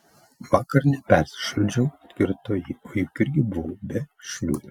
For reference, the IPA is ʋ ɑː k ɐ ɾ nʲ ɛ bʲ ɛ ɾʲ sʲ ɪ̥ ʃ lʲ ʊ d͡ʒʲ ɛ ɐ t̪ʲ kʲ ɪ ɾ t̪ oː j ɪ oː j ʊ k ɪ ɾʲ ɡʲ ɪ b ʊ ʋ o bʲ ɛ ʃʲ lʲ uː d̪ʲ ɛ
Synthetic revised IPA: ʋ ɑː k ɐ ɾ nʲ ɛ pʲ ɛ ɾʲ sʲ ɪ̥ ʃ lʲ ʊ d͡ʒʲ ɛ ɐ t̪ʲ kʲ ɪ ɾ t̪ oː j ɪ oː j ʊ k ɪ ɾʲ ɡʲ ɪ b ʊ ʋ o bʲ ɛ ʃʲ lʲ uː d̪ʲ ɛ